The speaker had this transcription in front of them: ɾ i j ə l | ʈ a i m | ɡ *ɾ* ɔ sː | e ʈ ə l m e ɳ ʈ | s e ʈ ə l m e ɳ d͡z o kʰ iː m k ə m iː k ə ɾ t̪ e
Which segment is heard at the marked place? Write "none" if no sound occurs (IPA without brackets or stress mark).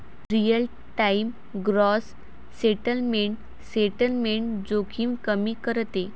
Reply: ɾ